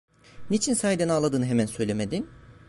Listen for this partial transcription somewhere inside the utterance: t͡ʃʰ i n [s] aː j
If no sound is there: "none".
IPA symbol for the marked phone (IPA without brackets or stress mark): s